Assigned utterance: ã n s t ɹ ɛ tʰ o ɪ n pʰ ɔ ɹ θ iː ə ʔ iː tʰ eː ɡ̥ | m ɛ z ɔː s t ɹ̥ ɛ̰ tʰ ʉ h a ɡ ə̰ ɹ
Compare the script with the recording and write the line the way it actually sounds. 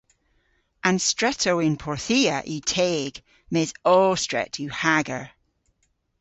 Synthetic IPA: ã n s t ɹ ɛ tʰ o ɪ n pʰ ɔ ɹ θ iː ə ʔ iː tʰ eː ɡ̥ | m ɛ z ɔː s t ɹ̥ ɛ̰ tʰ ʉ h a ɡ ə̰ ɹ